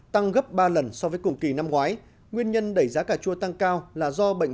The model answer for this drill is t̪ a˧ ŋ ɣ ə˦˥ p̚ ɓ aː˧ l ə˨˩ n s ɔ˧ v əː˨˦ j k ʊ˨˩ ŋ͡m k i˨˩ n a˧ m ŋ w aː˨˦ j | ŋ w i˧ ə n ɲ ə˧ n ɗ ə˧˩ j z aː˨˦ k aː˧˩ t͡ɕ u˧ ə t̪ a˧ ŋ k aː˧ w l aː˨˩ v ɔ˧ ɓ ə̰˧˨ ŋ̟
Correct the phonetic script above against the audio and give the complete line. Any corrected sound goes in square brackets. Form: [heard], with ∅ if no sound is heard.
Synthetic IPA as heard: t̪ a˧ ŋ ɣ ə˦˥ p̚ ɓ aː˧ l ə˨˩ n s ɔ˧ v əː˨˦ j k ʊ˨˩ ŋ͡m k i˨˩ n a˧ m ŋ w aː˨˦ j | ŋ w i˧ ə n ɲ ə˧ n ɗ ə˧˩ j z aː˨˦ k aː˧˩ t͡ɕ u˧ ə t̪ a˧ ŋ k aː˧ w l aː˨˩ [z] ɔ˧ ɓ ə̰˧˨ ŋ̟